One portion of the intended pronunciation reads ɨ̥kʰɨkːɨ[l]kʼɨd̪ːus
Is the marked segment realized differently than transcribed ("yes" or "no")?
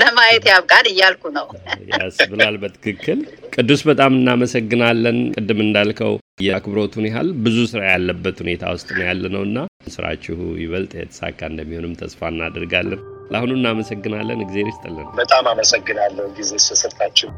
no